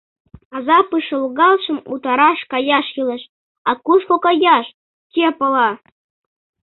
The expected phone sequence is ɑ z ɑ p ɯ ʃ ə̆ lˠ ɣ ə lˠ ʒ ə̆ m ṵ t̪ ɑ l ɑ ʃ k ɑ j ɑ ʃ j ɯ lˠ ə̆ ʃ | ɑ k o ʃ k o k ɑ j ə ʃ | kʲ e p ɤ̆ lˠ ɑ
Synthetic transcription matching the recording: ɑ z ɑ p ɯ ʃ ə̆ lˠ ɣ ɑ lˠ ʃ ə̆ m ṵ t̪ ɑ ɾ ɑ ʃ k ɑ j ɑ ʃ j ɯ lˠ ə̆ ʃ | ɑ k u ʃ k o k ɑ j ɑ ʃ | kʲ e p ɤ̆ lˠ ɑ